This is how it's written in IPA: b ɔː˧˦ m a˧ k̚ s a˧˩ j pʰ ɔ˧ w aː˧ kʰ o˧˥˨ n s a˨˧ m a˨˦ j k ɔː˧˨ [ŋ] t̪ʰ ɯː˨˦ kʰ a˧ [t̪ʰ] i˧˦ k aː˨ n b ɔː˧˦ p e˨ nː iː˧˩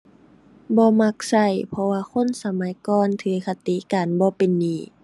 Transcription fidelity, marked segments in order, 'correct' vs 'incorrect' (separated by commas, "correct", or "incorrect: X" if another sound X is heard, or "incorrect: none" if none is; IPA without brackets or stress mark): incorrect: n, incorrect: t̪